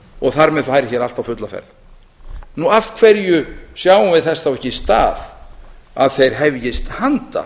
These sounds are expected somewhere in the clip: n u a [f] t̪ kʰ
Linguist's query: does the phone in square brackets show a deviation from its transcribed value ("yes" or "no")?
no